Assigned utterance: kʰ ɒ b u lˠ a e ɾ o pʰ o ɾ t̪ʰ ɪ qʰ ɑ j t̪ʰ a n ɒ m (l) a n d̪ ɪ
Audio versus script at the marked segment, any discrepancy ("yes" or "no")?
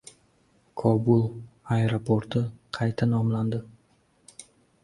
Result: no